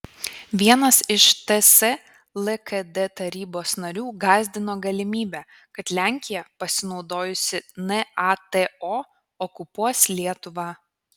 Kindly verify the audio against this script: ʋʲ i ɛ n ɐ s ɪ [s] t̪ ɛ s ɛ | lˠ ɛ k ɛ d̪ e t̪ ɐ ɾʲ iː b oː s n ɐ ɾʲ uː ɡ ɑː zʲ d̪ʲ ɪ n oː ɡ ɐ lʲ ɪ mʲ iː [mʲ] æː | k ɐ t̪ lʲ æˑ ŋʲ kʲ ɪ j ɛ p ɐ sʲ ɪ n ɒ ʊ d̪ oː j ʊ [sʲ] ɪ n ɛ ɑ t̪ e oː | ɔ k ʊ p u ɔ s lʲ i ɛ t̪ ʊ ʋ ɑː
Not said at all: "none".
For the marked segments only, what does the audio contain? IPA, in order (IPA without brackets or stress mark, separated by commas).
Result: ʃ, bʲ, sʲ